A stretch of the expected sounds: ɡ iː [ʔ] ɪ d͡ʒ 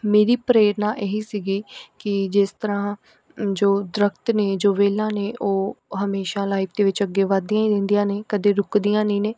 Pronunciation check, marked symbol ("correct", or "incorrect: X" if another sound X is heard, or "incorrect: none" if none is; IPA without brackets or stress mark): incorrect: k